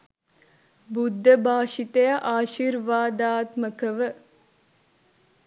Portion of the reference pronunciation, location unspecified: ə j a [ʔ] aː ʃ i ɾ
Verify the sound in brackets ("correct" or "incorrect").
correct